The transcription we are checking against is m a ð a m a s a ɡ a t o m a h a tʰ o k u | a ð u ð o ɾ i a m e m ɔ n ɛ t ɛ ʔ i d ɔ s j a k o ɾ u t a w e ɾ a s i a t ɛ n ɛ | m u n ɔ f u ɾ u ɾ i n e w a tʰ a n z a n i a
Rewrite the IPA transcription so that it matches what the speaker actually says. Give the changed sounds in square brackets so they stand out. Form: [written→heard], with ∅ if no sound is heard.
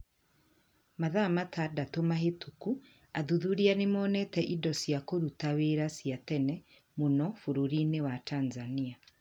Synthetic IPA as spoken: m a ð a m a [s→t] a [ɡ→d] a t o m a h [a→e] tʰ [o→u] k u | a ð u ð [o→u] ɾ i a [m→n] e m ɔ n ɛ t ɛ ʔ i d ɔ s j a k o ɾ u t a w e ɾ a s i a t ɛ n ɛ | m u n ɔ f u ɾ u ɾ i n e w a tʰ a n z a n i a

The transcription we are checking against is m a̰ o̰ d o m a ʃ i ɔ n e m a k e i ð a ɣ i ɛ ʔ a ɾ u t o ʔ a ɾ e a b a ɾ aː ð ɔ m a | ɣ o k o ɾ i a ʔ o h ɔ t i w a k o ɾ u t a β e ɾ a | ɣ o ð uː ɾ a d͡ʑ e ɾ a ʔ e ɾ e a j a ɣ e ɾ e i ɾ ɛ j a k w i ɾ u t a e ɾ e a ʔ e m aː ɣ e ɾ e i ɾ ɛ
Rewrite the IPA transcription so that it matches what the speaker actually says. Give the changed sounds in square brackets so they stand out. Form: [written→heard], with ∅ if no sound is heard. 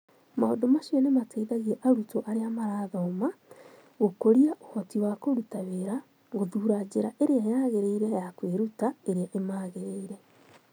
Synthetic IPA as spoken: m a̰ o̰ d o m a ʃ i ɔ n e m a [k→t] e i ð a ɣ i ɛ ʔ a ɾ u t o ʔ a ɾ e a [b→m] a ɾ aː ð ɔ m a | ɣ o k o ɾ i a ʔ o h ɔ t i w a k o ɾ u t a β e ɾ a | ɣ o ð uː ɾ a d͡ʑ e ɾ a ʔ e ɾ e a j a ɣ e ɾ e i ɾ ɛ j a k w [i→e] ɾ u t a e ɾ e a ʔ e m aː ɣ e ɾ e i ɾ ɛ

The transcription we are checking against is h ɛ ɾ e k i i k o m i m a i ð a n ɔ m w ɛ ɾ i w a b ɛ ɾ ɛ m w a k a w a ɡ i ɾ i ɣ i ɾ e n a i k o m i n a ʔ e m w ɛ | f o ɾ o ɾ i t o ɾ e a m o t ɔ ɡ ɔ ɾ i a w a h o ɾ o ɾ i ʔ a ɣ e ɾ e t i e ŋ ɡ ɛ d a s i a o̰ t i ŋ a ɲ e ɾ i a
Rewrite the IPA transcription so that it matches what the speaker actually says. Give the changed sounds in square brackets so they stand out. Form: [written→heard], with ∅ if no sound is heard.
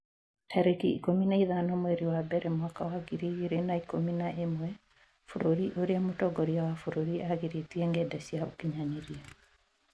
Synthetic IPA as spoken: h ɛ ɾ e k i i k o m i [m→n] a i ð a n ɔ m w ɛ ɾ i w a b ɛ ɾ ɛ m w a k a w a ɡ i ɾ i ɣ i ɾ e n a i k o m i n a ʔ e m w ɛ | f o ɾ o ɾ i [t→ʔ] o ɾ e a m o t ɔ ɡ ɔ ɾ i a w a [h→f] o ɾ o ɾ i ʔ a ɣ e ɾ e t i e ŋ ɡ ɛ d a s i a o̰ [t→k] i [ŋ→ɲ] a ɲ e ɾ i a

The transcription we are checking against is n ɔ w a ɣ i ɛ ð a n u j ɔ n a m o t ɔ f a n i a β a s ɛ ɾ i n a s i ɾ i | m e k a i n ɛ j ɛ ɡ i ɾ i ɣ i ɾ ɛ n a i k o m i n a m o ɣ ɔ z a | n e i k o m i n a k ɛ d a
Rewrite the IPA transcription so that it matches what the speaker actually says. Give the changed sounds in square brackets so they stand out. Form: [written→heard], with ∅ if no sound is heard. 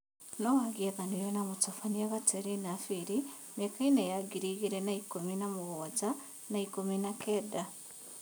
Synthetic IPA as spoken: n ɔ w a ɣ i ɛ ð a n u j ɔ n a m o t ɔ f a n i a β a [s→t] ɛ ɾ i n a [s→f] i ɾ i | m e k a i n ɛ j [ɛ→a] ɡ i ɾ i ɣ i ɾ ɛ n a i k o m i n a m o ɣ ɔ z a | n [e→a] i k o m i n a k ɛ d a

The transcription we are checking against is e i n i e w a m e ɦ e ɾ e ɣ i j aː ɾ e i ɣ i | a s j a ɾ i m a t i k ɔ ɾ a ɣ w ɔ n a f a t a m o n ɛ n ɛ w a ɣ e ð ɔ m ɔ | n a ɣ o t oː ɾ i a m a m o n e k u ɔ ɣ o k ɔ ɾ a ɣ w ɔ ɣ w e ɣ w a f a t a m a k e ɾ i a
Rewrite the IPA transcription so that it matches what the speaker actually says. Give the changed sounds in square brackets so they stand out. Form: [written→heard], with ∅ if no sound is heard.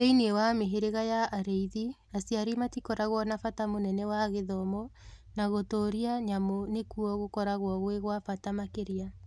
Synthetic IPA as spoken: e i n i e w a m e ɦ e ɾ e ɣ [i→a] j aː ɾ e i [ɣ→ð] i | a s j a ɾ i m a t i k ɔ ɾ a ɣ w ɔ n a f a t a m o n ɛ n ɛ w a ɣ e ð ɔ m ɔ | n a ɣ o t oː ɾ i a [m→ɲ] a m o n e k u ɔ ɣ o k ɔ ɾ a ɣ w ɔ ɣ w e ɣ w a f a t a m a k e ɾ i a

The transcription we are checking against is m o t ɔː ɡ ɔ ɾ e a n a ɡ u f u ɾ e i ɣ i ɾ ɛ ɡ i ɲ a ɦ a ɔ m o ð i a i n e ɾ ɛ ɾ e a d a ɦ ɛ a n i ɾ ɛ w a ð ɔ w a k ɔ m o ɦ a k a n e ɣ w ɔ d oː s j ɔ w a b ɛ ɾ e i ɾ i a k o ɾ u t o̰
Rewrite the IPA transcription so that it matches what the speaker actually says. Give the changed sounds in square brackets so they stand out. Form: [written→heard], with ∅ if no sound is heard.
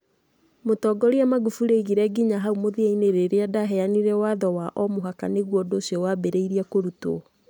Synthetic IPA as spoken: m o t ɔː ɡ ɔ ɾ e a [n→m] a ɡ u f u ɾ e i ɣ i ɾ ɛ ɡ i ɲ a ɦ a [ɔ→u] m o ð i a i n e ɾ [ɛ→e] ɾ e a d a ɦ ɛ a n i ɾ ɛ w a ð ɔ w a [k→ʔ] ɔ m o ɦ a k a n e ɣ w ɔ d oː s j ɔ w a b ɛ ɾ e i ɾ i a k o ɾ u t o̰

